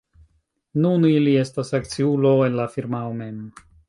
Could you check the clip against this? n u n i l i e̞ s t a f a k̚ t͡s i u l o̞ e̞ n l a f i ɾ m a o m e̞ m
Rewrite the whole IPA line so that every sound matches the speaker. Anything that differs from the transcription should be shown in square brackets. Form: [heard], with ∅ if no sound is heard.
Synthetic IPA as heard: n u n i l i e̞ s t a [s] a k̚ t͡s i u l o̞ e̞ n l a f i ɾ m a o m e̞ m

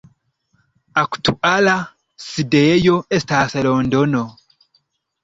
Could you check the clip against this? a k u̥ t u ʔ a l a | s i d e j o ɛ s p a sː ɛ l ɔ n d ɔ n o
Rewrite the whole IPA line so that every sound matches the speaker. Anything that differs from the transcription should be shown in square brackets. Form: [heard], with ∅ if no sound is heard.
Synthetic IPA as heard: a k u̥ t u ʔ a l a | s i d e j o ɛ s [t] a [s] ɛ l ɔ n d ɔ n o

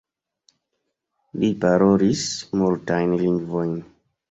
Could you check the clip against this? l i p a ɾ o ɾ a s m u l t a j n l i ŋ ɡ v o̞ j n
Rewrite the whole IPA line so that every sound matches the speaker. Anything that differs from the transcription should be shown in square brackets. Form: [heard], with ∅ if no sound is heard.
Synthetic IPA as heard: l i p a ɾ o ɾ [i] s m u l t a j n l i ŋ ɡ v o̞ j n

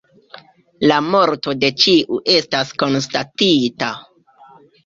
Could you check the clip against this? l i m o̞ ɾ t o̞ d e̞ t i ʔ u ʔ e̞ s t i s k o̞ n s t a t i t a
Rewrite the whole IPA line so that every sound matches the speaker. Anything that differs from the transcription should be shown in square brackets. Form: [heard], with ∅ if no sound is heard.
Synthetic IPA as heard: l [a] m o̞ ɾ t o̞ d e̞ [t͡ʃ] i ʔ u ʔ e̞ s t [a] s k o̞ n s t a t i t a

